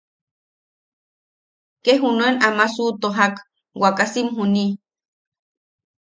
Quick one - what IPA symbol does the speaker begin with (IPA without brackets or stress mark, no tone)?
k